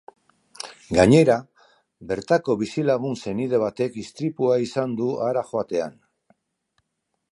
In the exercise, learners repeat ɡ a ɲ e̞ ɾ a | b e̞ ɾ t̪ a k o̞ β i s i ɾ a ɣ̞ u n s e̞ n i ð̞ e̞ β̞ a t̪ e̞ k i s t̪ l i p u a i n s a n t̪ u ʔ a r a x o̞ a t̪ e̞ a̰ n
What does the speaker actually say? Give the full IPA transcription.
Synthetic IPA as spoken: ɡ a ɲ e̞ ɾ a | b e̞ ɾ t̪ a k o̞ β i s i l a ɣ̞ u n s e̞ n i ð̞ e̞ β̞ a t̪ e̞ k i s t̪ ɾ i p u a i s a n d̪ u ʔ a ɾ a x o̞ a t̪ e̞ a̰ n